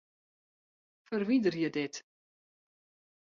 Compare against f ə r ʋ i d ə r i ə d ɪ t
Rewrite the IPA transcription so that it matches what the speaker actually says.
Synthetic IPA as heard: f ə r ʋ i d ə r j ə d ɪ t